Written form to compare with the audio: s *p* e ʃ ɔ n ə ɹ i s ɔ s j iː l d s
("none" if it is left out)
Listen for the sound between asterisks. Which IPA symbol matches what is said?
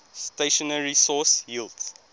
t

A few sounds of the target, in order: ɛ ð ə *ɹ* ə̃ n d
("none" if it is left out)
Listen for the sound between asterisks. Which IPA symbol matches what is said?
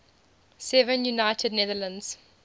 l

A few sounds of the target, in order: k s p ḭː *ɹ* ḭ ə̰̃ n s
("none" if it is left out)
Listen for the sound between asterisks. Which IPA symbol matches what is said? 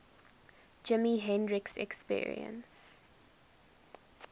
ɹ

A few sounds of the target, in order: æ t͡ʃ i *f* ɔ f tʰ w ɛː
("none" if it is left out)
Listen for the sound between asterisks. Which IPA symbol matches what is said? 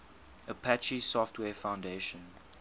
s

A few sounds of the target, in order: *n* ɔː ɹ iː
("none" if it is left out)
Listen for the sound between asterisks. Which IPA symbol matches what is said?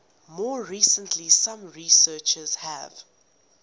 m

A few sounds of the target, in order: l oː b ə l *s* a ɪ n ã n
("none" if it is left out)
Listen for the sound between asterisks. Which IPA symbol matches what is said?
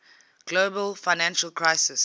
f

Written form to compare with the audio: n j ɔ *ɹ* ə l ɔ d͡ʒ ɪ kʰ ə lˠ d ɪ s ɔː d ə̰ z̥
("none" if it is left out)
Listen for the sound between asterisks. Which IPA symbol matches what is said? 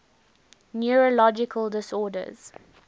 ɹ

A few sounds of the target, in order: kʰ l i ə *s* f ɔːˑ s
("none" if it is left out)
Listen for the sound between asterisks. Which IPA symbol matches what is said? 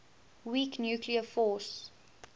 none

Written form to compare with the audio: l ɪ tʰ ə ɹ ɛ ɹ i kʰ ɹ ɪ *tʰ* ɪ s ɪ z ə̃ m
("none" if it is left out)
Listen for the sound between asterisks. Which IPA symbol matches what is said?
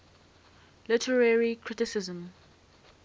t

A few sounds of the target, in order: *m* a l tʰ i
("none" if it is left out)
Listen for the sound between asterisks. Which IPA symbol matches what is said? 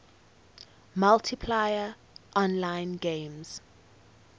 m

